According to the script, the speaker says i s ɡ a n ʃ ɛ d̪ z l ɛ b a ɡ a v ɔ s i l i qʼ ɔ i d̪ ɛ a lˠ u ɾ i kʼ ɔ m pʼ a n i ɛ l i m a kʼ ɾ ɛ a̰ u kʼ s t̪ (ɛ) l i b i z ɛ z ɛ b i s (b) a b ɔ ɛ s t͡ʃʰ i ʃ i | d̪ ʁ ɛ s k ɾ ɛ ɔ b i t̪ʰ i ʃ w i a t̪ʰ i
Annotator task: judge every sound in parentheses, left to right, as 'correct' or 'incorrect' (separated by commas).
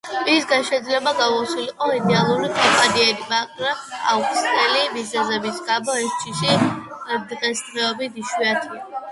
correct, incorrect